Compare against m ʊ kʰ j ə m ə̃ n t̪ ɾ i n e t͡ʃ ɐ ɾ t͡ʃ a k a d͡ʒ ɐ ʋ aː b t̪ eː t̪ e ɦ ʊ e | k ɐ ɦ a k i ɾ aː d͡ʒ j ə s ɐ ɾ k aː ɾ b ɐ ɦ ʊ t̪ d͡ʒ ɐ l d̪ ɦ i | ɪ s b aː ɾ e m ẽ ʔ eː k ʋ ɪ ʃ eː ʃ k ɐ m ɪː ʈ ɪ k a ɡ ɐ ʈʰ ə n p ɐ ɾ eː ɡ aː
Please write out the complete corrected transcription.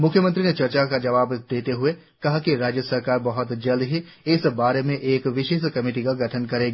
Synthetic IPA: m ʊ kʰ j ə m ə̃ n t̪ ɾ i n e t͡ʃ ɐ ɾ t͡ʃ a k a d͡ʒ ɐ ʋ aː b d̪ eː t̪ e ɦ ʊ e | k ɐ ɦ a k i ɾ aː d͡ʒ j ə s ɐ ɾ k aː ɾ b ɐ ɦ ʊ t̪ d͡ʒ ɐ l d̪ ɦ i | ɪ s b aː ɾ e m ẽ ʔ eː k ʋ ɪ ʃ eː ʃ k ɐ m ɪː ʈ i k a ɡ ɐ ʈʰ ə n k ɐ ɾ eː ɡ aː